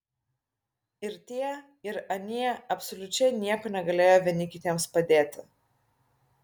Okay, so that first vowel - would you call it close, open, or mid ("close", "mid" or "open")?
close